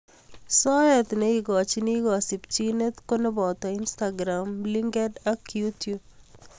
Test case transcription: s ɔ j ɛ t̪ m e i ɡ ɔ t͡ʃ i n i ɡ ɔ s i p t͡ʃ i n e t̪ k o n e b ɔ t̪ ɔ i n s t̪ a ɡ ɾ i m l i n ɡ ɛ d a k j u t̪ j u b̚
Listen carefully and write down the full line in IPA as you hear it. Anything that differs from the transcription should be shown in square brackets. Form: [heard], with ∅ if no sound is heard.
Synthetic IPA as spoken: s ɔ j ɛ t̪ [n] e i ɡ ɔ t͡ʃ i n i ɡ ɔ s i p t͡ʃ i n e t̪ k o n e b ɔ t̪ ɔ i n s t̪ a ɡ ɾ [a] m l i [ŋ] ɡ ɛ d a k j u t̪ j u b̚